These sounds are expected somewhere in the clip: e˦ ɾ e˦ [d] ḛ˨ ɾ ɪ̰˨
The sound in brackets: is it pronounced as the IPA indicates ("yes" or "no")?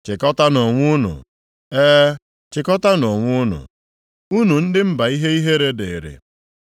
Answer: yes